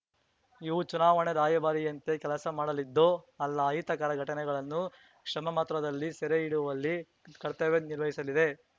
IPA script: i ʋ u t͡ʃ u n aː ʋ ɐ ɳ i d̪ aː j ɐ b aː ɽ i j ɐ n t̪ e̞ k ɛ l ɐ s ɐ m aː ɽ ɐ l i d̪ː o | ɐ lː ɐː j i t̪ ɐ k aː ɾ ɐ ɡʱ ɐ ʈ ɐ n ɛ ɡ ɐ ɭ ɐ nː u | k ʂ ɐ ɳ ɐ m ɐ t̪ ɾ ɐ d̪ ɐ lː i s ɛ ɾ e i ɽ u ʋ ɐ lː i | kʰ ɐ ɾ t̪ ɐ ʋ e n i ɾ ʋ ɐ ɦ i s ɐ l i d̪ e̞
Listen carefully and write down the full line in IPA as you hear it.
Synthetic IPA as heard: i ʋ u t͡ʃ u n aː ʋ ɐ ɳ e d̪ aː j ɐ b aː ɾ i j ɐ n t̪ e̞ k ɛ l ɐ s ɐ m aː ɽ ɐ l i d̪ː o | ɐ lː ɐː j i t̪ ɐ k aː ɾ ɐ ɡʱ ɐ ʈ ɐ n ɛ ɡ ɐ ɭ ɐ nː u | k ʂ ɐ m ɐ m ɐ t̪ ɾ ɐ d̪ ɐ lː i s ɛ ɾ e i ɽ u ʋ ɐ lː i | k ɐ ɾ t̪ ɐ ʋ e n i ɾ ʋ ɐ ɦ i s ɐ l i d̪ e̞